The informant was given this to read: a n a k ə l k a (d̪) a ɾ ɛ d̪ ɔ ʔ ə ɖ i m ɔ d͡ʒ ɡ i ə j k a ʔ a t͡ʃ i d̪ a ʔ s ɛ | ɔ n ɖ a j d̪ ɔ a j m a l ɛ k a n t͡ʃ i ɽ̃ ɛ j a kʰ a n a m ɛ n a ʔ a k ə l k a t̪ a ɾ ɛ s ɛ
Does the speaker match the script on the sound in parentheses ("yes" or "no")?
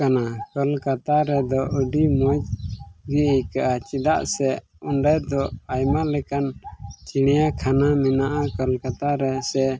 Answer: no